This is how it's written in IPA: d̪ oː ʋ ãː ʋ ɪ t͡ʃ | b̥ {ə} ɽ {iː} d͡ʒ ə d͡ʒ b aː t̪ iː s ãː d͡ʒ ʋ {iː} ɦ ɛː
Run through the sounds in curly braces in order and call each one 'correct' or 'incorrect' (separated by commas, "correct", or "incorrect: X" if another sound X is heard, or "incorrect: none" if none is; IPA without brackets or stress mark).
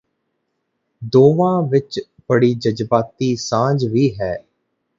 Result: correct, correct, correct